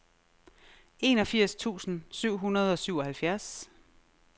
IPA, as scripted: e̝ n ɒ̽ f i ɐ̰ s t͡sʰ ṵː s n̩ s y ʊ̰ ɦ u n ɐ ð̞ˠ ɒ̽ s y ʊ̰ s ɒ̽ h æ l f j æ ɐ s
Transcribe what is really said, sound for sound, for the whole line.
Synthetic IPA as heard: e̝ n ɒ̽ f i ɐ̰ s t͡sʰ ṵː s n̩ s y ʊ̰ ɦ u n ɐ ð̞ˠ ɒ̽ s y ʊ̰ ɒ̽ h æ l f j æ ɐ s